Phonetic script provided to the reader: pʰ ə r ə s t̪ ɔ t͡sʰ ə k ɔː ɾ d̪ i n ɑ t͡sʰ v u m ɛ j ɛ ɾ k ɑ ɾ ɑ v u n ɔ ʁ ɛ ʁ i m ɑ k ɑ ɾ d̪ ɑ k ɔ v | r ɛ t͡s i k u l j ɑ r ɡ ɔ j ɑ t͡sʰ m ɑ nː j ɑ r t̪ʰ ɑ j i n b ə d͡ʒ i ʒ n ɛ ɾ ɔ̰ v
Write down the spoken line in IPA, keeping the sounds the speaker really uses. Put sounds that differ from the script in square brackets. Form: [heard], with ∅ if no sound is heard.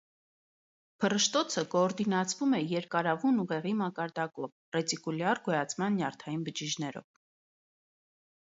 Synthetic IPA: pʰ ə r ə [ʃ] t̪ ɔ t͡sʰ ə k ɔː ɾ d̪ i n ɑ t͡sʰ v u m ɛ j ɛ ɾ k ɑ ɾ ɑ v u n [u] ʁ ɛ ʁ i m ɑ k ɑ ɾ d̪ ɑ k ɔ v | r ɛ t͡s i k u l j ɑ r ɡ ɔ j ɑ t͡sʰ m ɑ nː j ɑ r t̪ʰ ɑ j i n b ə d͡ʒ i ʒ n ɛ ɾ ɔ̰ v